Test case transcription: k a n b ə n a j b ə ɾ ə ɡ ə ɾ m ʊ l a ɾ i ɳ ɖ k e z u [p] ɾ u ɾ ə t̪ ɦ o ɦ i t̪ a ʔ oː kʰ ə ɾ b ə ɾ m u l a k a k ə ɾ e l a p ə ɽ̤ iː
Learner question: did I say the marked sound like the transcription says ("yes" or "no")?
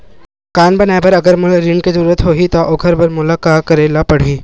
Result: no